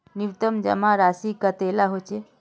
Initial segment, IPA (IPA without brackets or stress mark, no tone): n